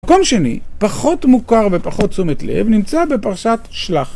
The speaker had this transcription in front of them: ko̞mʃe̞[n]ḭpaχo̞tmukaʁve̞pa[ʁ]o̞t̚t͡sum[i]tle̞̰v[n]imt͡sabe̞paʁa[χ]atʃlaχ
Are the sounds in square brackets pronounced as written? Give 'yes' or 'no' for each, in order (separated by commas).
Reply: yes, no, no, yes, no